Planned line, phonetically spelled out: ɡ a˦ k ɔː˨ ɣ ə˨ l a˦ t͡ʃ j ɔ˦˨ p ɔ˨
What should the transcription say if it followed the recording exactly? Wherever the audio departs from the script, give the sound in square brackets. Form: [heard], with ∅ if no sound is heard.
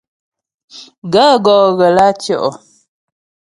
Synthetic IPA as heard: ɡ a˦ [ɡ] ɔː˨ ɣ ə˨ l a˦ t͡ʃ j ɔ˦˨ [ʔ] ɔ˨